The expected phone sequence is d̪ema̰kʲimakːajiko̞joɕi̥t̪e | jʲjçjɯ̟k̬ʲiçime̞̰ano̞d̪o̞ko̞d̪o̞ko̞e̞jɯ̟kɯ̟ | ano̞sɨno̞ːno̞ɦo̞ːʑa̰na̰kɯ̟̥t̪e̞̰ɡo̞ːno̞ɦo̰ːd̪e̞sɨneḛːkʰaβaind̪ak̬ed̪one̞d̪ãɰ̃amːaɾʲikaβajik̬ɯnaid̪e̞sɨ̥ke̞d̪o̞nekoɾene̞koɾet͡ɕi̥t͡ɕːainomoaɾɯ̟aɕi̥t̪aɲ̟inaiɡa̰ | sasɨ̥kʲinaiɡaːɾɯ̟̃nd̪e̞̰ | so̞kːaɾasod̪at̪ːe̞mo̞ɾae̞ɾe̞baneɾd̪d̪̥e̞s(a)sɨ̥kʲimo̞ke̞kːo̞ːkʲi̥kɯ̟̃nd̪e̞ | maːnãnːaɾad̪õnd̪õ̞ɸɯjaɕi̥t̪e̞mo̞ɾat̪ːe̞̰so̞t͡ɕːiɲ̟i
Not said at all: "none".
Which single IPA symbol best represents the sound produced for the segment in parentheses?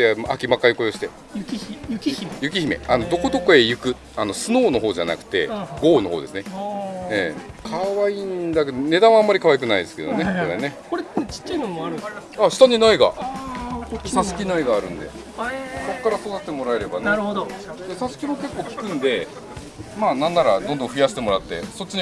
a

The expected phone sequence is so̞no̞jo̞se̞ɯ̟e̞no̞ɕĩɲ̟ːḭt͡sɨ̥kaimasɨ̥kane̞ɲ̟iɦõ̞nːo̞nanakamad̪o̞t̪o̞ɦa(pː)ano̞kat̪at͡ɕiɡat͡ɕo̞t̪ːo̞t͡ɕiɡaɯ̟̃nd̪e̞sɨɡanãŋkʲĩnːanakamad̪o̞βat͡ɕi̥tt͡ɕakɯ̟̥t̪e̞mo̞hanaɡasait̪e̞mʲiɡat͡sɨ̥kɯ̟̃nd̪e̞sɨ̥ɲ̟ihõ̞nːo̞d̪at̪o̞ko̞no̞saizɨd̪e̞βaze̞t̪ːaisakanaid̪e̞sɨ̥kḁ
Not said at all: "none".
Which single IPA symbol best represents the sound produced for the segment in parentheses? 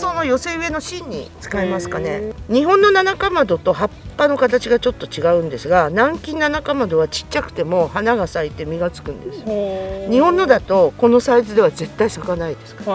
pː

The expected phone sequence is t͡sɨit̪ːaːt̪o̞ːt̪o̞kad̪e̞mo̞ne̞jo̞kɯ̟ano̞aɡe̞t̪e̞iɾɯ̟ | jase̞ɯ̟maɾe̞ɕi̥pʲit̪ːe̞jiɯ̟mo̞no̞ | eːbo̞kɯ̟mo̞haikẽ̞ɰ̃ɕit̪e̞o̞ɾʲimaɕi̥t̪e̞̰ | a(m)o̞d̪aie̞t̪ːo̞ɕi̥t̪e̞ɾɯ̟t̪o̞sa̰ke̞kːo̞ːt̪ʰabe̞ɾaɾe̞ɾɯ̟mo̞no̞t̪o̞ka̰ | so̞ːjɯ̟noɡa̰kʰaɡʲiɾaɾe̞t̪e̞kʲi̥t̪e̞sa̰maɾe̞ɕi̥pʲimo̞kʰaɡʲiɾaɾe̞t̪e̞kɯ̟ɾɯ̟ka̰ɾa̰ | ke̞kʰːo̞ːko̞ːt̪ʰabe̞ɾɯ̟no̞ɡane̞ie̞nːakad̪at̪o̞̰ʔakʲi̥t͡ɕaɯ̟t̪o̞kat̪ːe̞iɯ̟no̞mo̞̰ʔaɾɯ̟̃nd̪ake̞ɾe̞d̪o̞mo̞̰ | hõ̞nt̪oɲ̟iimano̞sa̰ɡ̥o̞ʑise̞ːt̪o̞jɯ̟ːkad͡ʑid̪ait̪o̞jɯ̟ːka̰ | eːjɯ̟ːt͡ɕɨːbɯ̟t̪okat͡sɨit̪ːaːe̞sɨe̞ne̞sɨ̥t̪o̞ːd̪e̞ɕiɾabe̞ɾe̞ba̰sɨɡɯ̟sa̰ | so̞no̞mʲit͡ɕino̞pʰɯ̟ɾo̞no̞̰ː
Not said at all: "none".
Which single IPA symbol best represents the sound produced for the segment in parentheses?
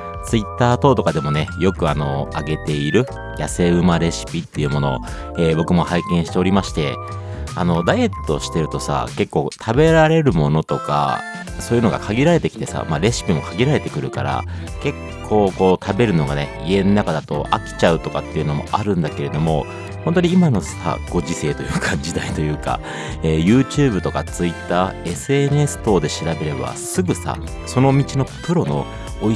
n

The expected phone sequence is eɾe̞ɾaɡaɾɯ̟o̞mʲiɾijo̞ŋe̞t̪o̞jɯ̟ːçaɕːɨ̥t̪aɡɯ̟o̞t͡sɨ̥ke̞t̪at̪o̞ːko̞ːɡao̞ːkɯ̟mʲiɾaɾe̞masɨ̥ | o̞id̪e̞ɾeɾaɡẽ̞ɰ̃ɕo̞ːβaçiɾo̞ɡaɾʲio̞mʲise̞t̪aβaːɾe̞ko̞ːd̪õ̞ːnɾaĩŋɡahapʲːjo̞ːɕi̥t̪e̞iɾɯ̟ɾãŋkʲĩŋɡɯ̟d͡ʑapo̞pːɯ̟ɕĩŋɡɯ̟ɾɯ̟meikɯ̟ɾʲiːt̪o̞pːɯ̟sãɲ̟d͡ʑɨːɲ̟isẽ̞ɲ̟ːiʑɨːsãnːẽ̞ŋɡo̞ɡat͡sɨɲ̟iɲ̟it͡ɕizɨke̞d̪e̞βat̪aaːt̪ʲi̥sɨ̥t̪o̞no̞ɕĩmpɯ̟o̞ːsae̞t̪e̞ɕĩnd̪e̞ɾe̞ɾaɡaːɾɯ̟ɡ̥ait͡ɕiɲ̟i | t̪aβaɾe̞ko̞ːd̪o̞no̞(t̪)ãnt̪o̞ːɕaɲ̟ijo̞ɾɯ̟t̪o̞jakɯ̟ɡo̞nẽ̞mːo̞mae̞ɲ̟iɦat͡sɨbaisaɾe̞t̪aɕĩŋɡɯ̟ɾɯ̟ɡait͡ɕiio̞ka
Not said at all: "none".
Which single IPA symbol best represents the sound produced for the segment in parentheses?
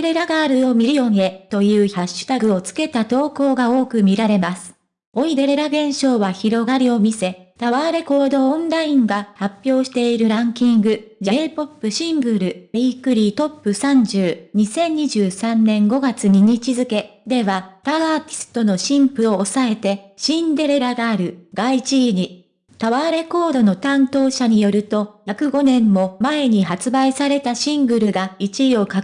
t̪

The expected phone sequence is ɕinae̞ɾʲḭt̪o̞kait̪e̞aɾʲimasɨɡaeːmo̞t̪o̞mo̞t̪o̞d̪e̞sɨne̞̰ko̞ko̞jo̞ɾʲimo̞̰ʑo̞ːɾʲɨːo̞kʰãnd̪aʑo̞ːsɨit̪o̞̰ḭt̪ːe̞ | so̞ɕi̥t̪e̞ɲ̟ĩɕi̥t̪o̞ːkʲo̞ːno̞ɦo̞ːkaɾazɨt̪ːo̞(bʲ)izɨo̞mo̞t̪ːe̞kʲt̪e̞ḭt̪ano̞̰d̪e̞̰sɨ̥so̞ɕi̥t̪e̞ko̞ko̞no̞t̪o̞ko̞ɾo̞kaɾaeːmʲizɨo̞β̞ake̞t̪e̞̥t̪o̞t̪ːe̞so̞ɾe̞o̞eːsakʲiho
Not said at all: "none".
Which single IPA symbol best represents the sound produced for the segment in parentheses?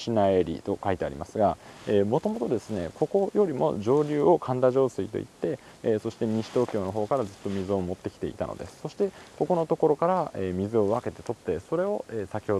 mʲ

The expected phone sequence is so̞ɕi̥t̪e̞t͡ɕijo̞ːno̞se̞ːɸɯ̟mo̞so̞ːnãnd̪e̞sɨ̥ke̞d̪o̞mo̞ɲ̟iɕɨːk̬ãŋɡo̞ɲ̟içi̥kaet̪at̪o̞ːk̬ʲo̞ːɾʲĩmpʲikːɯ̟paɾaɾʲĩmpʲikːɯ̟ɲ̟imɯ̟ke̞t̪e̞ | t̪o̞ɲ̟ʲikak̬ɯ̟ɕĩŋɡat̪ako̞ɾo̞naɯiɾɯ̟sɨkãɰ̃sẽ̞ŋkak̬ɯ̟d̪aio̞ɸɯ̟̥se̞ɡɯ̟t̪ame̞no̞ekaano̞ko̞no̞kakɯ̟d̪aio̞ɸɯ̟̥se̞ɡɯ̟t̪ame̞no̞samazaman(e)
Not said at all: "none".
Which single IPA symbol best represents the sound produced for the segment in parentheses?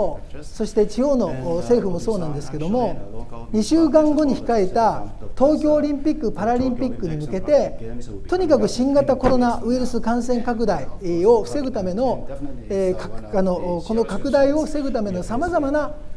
a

